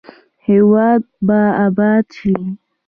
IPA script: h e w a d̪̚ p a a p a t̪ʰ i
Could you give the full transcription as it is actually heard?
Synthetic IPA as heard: h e w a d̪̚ b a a b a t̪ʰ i